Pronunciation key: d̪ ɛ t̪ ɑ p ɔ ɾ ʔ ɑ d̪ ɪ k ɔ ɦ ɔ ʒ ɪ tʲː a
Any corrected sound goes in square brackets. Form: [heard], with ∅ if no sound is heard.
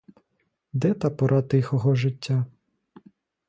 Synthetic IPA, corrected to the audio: d̪ ɛ t̪ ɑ p ɔ ɾ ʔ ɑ [t̪] ɪ [x] ɔ ɦ ɔ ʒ ɪ tʲː a

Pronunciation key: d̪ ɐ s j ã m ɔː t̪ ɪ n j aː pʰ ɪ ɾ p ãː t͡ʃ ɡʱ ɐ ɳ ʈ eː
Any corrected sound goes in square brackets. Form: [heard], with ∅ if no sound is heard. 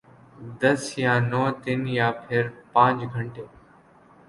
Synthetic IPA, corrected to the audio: d̪ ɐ s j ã [n] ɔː t̪ ɪ n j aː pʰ ɪ ɾ p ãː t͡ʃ ɡʱ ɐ ɳ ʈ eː

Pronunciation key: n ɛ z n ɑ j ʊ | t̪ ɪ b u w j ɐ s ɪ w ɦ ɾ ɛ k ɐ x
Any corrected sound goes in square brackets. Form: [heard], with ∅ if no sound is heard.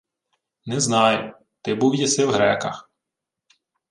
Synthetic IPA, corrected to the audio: n ɛ z n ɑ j ʊ | t̪ ɪ b u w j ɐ s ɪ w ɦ ɾ ɛ k ɐ x

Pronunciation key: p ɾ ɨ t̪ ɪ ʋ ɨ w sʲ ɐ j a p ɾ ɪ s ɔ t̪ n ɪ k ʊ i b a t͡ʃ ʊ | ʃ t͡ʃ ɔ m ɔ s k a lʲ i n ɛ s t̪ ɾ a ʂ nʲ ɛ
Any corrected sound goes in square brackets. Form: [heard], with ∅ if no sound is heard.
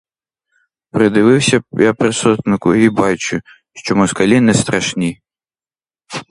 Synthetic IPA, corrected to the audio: p ɾ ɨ [d̪] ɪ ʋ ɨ w sʲ ɐ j a p ɾ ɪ s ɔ t̪ n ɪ k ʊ i b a t͡ʃ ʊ | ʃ t͡ʃ ɔ m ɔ s k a lʲ i n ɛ s t̪ ɾ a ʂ nʲ [i]

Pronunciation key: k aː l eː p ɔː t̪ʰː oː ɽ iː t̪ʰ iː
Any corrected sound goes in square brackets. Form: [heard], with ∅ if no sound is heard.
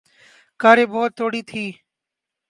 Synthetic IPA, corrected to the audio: k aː [ɾ] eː [b] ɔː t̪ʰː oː ɽ iː t̪ʰ iː

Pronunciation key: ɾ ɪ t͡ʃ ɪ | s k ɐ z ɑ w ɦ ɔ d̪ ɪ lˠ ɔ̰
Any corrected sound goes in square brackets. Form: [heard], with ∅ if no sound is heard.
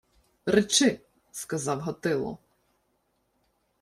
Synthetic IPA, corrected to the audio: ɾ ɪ t͡ʃ ɪ | s k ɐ z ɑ w ɦ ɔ [t̪] ɪ lˠ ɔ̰

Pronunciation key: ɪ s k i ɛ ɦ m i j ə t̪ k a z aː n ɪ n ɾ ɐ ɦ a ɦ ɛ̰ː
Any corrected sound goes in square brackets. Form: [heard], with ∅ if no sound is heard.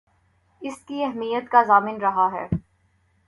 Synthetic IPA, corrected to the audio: ɪ s k i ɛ ɦ m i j ə t̪ k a z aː [m] ɪ n ɾ ɐ ɦ a ɦ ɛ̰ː

